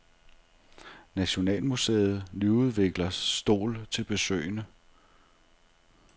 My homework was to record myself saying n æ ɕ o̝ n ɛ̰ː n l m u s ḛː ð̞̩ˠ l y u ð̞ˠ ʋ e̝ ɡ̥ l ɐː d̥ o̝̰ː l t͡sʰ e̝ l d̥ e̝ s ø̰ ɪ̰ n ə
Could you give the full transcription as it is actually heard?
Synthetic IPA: n æ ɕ o̝ n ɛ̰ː l m u s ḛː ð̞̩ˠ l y u ð̞ˠ ʋ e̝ ɡ̥ l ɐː d̥ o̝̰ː l t͡sʰ e̝ l b̥ e̝ s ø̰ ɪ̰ n ə